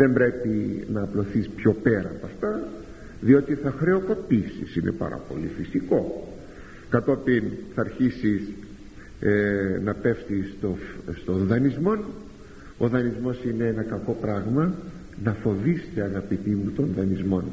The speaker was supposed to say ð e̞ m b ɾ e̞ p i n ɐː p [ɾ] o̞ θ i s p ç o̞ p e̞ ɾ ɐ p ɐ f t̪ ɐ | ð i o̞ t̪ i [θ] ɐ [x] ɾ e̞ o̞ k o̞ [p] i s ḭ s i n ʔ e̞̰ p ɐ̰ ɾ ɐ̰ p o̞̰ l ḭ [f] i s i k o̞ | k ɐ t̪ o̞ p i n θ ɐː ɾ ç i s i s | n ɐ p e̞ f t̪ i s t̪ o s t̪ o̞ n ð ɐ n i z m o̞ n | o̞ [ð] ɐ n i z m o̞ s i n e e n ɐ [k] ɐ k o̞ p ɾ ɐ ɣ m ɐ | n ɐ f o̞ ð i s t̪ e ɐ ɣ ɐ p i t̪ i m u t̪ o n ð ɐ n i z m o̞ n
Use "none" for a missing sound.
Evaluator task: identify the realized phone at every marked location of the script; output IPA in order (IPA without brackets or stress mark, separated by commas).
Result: l, θ, x, p, f, ð, k